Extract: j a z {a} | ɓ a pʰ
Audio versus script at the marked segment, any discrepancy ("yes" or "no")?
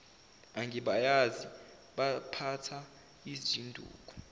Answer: yes